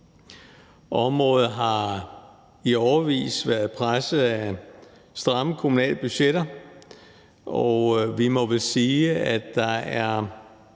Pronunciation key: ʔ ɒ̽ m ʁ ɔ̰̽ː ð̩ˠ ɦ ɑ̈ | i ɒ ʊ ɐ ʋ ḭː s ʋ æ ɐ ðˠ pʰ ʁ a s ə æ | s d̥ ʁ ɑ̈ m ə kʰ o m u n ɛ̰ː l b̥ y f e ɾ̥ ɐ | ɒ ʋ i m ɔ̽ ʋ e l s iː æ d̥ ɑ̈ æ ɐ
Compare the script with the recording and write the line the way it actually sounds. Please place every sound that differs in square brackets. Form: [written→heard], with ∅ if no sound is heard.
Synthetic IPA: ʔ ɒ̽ m ʁ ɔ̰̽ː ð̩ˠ ɦ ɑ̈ | i ɒ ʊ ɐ ʋ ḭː s ʋ æ ɐ ðˠ pʰ ʁ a s ə æ | s d̥ ʁ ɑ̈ m ə kʰ o m u n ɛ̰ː l b̥ y [f→ɕ] e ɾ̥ ɐ | ɒ ʋ i m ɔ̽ ʋ e l s iː æ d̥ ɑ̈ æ ɐ

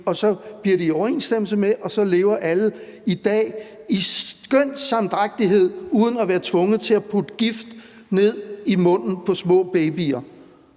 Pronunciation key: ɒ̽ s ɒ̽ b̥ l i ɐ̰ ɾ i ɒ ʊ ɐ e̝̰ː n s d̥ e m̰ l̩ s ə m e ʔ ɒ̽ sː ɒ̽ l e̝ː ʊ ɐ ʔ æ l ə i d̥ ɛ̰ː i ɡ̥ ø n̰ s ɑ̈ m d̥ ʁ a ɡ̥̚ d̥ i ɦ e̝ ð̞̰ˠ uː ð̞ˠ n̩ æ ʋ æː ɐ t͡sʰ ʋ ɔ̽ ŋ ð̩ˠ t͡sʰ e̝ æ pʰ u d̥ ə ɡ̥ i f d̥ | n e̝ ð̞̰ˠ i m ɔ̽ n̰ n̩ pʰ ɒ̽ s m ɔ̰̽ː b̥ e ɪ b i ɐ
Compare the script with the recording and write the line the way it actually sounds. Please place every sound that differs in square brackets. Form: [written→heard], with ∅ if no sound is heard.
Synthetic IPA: ɒ̽ s ɒ̽ b̥ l i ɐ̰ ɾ i ɒ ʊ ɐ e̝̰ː n s d̥ e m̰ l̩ s ə m e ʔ ɒ̽ [sː→s] ɒ̽ l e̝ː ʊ ɐ ʔ æ l ə i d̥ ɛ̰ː i ɡ̥ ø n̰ s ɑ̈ m d̥ ʁ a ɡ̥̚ d̥ i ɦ e̝ ð̞̰ˠ uː ð̞ˠ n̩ æ ʋ æː ɐ t͡sʰ ʋ ɔ̽ ŋ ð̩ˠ t͡sʰ e̝ æ pʰ u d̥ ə ɡ̥ i f d̥ | n e̝ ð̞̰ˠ i m ɔ̽ n̰ n̩ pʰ ɒ̽ s m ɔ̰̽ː b̥ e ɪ b i ɐ

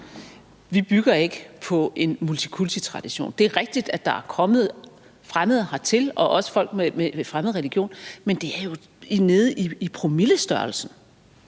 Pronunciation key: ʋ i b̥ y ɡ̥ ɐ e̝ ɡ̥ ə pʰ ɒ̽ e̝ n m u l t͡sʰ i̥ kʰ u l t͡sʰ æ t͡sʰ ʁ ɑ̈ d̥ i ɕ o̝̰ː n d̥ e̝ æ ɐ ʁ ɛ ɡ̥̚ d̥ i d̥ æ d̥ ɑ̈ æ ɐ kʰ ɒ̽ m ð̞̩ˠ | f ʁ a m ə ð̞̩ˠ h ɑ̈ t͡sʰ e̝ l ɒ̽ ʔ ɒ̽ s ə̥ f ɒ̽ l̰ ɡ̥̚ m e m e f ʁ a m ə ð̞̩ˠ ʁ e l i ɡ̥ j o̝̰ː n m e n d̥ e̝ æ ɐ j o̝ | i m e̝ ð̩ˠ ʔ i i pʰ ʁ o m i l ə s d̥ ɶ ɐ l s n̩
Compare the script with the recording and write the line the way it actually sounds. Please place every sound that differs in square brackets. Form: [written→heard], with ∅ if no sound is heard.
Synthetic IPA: ʋ i b̥ y ɡ̥ ɐ e̝ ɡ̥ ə pʰ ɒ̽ e̝ n m u l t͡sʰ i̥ kʰ u l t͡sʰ [æ→i] t͡sʰ ʁ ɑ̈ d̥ i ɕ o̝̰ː n d̥ e̝ æ ɐ ʁ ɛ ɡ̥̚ d̥ i d̥ æ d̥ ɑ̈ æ ɐ kʰ ɒ̽ m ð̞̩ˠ | f ʁ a m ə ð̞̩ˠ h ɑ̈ t͡sʰ e̝ l ɒ̽ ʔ ɒ̽ s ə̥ f ɒ̽ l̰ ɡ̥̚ m e m e f ʁ a m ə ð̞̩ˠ ʁ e l i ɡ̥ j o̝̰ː n m e n d̥ e̝ æ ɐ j o̝ | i [m→n] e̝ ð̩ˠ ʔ i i pʰ ʁ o m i l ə s d̥ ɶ ɐ l s n̩

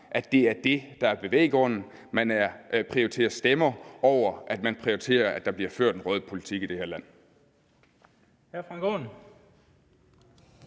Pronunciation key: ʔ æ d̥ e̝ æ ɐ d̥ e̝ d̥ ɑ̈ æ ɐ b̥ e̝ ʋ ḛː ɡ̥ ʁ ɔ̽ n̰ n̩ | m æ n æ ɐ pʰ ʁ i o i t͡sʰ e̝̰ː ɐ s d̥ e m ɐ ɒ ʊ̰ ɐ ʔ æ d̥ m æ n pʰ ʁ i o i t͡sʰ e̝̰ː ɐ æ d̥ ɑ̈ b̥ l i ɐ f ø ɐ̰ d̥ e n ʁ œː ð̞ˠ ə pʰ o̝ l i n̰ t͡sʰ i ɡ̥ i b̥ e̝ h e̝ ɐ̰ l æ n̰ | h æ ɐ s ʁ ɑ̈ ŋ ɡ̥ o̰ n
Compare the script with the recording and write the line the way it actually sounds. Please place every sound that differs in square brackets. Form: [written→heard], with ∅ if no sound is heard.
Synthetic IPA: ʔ æ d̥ e̝ æ ɐ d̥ e̝ d̥ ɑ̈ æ ɐ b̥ e̝ ʋ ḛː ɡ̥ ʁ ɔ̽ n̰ n̩ | m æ n æ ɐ pʰ ʁ i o i t͡sʰ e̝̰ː ɐ s d̥ e m ɐ ɒ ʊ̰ ɐ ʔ æ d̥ m æ n pʰ ʁ i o i t͡sʰ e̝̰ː ɐ æ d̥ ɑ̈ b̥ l i ɐ f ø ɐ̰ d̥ e n ʁ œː ð̞ˠ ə pʰ o̝ l i [n̰→∅] t͡sʰ i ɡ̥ i [b̥→d̥] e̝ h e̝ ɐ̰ l æ n̰ | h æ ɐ [s→f] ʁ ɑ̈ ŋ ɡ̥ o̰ n

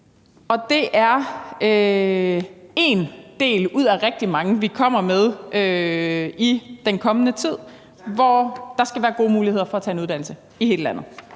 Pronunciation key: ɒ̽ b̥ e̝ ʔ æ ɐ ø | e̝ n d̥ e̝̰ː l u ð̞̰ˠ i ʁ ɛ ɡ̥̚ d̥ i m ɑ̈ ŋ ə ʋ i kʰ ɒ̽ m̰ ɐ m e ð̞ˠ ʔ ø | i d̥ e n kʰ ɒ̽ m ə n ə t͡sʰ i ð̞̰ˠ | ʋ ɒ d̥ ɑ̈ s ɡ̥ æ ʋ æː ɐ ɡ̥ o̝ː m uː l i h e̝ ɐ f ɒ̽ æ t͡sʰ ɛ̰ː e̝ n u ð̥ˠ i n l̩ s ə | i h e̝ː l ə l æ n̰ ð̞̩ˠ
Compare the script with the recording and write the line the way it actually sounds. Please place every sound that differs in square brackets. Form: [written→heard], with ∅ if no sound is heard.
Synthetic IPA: ɒ̽ [b̥→d̥] e̝ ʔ æ ɐ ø | e̝ n d̥ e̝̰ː l u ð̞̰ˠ [i→æ] ʁ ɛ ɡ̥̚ d̥ i m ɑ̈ ŋ ə ʋ i kʰ ɒ̽ m̰ ɐ m e ð̞ˠ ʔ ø | i d̥ e n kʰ ɒ̽ m ə n ə t͡sʰ i ð̞̰ˠ | ʋ ɒ d̥ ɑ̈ s ɡ̥ æ ʋ æː ɐ ɡ̥ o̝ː m uː l i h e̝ ɐ f ɒ̽ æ t͡sʰ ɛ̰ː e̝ n u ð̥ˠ [i→æ] n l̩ s ə | i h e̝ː l ə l æ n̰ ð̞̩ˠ

